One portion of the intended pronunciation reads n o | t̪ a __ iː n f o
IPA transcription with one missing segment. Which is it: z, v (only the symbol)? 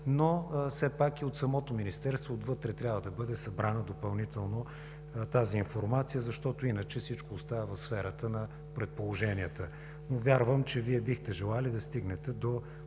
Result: z